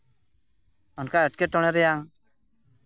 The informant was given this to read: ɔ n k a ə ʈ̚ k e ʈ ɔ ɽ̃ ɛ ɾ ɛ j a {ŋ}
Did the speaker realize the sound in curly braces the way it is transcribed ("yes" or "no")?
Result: yes